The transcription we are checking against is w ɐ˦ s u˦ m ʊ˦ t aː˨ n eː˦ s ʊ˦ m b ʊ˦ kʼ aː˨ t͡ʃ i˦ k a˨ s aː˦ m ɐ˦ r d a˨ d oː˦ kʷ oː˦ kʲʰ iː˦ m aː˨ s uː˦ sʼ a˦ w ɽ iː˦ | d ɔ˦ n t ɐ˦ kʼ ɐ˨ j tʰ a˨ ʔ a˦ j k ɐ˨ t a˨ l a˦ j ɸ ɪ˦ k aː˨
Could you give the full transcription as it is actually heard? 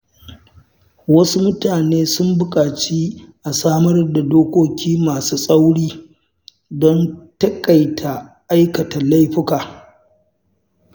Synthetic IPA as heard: w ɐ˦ s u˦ m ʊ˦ t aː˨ n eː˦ s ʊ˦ m b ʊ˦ kʼ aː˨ t͡ʃ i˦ ʔ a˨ s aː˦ m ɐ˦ r d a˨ d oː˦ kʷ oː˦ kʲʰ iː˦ m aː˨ s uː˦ sʼ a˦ w ɽ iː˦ | d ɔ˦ n t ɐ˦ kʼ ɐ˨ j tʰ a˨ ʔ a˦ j k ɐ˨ t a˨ l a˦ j ɸ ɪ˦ k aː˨